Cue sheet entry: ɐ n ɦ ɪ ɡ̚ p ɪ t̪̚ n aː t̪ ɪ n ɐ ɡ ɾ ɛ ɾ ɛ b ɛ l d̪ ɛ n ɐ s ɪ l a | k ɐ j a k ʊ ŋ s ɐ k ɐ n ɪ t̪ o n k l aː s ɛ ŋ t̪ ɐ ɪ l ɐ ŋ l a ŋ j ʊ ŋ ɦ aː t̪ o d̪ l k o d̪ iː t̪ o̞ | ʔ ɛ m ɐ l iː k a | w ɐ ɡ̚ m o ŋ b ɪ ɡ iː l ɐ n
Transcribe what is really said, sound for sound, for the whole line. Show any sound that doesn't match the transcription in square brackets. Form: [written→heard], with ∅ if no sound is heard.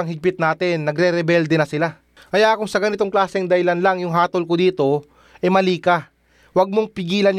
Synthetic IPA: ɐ [n→ŋ] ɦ ɪ ɡ̚ p ɪ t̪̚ n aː t̪ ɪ [n→nː] ɐ ɡ ɾ ɛ ɾ ɛ b ɛ l d̪ ɛ n ɐ s ɪ l a | k ɐ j a k ʊ ŋ s ɐ [k→ɡ] ɐ n ɪ t̪ o [n→ŋ] k l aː s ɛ ŋ [t̪→d̪] ɐ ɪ l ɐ [ŋ→n] l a ŋ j ʊ ŋ ɦ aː t̪ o [d̪→∅] l k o d̪ iː t̪ o̞ | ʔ ɛ m ɐ l iː k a | w ɐ ɡ̚ m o ŋ [b→p] ɪ ɡ iː l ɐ n